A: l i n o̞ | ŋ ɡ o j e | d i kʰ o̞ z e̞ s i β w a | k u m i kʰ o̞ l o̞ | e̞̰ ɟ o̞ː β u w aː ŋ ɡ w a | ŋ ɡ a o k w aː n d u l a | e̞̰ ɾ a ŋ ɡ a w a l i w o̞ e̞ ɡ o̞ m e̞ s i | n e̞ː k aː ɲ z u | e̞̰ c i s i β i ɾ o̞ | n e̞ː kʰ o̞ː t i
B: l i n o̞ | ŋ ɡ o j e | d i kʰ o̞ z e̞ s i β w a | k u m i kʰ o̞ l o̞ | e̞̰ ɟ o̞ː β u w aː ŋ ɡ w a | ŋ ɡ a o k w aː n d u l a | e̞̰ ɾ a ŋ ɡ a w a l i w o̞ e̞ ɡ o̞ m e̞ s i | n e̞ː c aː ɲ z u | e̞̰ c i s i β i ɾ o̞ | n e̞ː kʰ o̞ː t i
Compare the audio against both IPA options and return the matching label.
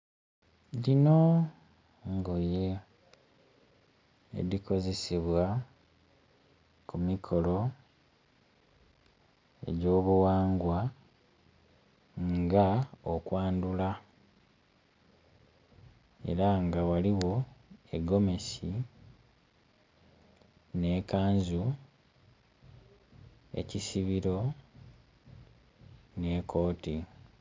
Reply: A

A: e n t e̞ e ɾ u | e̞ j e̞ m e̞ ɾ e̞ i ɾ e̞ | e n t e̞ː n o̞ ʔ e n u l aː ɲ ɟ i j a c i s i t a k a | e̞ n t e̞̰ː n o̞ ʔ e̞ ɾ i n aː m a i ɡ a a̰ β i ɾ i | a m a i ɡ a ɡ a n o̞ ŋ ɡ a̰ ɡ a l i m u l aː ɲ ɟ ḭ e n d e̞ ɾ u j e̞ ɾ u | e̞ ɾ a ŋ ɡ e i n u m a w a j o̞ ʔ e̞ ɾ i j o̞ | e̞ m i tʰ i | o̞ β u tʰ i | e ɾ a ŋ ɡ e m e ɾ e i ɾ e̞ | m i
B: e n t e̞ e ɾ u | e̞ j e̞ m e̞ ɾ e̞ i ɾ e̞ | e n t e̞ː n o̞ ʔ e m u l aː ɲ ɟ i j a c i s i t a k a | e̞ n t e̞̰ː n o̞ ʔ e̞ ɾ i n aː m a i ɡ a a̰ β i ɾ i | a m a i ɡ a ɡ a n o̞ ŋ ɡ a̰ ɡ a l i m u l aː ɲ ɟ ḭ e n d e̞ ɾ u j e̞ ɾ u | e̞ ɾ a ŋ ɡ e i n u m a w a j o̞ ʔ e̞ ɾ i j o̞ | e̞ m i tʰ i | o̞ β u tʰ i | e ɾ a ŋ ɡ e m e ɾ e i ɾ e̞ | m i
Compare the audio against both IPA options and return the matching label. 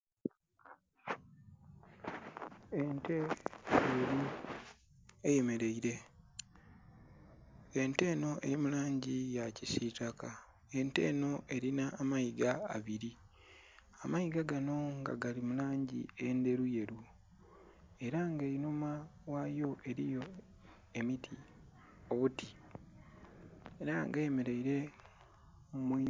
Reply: B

